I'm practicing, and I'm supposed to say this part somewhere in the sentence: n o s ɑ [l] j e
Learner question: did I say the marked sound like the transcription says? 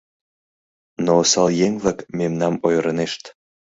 yes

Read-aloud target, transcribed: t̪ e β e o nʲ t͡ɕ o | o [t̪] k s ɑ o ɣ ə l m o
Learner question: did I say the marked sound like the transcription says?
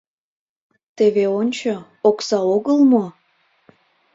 no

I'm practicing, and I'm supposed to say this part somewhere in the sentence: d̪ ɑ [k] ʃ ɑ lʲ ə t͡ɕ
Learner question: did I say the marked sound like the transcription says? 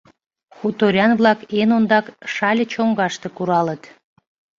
yes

